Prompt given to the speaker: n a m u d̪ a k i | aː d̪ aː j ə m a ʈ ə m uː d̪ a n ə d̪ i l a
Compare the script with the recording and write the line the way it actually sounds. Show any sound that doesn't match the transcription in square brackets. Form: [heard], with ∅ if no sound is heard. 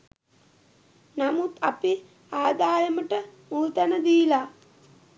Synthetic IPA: n a m u [t̪] a [p] i | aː d̪ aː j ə m [ə] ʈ ə m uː [t̪] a n ə d̪ i l a

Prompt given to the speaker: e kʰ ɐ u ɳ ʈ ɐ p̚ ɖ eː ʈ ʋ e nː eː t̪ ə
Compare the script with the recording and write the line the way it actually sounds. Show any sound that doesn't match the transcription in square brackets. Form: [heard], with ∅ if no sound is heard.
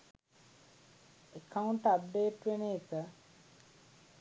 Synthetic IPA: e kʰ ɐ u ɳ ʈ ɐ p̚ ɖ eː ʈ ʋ e [n] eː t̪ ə

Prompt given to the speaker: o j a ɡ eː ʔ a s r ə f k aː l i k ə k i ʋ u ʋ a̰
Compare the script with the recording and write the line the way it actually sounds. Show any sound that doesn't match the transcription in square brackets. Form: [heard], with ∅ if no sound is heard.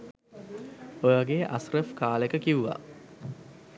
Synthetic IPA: o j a ɡ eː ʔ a s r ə f k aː l [e] k ə k i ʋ u ʋ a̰

